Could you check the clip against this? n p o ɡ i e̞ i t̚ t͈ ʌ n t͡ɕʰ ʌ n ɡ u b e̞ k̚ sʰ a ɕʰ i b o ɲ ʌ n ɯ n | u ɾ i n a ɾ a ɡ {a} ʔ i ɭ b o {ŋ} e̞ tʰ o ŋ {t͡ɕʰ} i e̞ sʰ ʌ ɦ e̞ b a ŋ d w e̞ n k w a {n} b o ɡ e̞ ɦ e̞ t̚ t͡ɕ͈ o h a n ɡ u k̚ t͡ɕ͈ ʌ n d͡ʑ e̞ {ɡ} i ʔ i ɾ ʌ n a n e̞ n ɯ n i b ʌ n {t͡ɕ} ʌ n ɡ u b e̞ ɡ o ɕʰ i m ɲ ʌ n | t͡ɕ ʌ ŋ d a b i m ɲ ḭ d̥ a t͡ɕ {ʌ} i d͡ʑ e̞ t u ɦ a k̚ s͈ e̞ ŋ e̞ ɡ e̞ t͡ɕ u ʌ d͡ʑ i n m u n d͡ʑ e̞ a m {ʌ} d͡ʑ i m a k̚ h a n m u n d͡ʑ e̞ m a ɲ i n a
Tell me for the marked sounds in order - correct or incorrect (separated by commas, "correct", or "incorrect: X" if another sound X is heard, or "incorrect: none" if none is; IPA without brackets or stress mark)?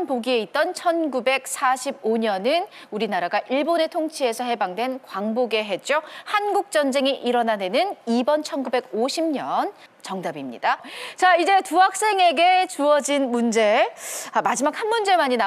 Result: correct, incorrect: n, correct, incorrect: ŋ, incorrect: ŋ, incorrect: t͡ɕʰ, incorrect: a, incorrect: a